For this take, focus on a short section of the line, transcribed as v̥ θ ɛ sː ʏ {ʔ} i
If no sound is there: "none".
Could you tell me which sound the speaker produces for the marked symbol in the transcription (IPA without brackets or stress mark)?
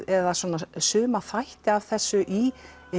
ʔ